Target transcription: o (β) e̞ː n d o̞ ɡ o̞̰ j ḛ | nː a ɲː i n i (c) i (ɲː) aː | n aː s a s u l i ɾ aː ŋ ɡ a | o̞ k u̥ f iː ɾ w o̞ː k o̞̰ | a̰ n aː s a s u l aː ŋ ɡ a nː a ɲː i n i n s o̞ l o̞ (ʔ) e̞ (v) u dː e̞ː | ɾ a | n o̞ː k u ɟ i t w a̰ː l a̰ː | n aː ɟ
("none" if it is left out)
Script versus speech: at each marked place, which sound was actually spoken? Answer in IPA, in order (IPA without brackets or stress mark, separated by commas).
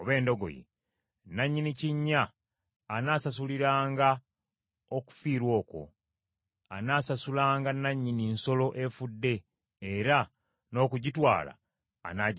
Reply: β, c, ɲː, ʔ, f